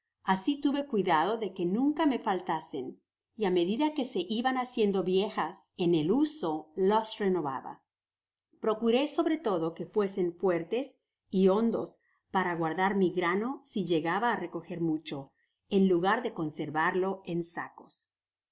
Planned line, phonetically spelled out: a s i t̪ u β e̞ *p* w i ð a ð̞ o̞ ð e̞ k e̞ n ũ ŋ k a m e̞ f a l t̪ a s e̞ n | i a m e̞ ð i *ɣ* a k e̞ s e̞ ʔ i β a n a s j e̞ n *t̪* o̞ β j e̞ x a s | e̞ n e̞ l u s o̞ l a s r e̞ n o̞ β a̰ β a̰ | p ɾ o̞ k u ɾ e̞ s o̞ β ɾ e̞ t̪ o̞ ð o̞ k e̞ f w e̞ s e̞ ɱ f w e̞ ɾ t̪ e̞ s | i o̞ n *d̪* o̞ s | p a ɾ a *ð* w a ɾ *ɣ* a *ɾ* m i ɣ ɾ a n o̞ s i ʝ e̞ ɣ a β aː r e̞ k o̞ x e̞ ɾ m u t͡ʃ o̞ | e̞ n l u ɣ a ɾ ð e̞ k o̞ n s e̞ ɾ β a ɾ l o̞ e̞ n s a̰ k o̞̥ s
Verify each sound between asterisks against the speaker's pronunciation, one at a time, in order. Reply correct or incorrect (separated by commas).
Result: incorrect, incorrect, incorrect, correct, incorrect, incorrect, correct